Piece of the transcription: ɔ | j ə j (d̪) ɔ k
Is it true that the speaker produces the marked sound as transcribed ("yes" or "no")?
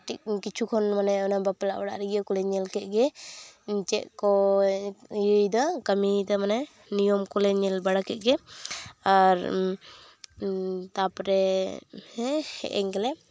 yes